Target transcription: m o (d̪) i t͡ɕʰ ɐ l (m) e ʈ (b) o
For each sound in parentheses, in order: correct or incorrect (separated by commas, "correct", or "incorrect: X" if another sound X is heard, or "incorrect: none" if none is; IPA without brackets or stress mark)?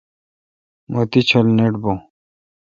incorrect: t̪, incorrect: n, correct